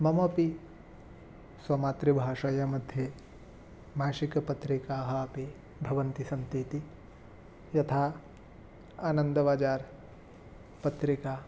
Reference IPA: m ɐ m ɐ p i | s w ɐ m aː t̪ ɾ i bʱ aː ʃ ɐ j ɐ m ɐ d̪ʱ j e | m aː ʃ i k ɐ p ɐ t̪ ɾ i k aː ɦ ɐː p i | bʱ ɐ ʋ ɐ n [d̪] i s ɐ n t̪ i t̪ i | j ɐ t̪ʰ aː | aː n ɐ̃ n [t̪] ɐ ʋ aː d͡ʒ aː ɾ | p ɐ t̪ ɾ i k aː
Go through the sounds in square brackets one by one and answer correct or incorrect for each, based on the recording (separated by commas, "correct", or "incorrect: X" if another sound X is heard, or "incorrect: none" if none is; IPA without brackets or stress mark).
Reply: incorrect: t̪, incorrect: d̪